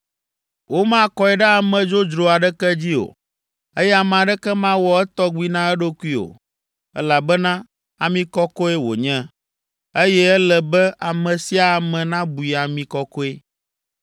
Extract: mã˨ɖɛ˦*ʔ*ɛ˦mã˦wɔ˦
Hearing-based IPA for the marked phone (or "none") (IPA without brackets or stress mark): k